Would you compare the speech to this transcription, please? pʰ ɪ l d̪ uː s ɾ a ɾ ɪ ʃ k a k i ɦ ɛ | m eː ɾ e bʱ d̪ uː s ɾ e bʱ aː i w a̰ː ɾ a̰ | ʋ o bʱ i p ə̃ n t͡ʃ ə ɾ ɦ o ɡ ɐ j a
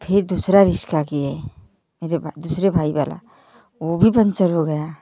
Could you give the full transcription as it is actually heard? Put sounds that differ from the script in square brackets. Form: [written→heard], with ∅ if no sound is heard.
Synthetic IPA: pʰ ɪ [l→ɾ] d̪ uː s ɾ a ɾ ɪ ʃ k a k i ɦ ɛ | m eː ɾ e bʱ d̪ uː s ɾ e bʱ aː i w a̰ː [ɾ→l] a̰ | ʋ o bʱ i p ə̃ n t͡ʃ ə ɾ ɦ o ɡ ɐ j a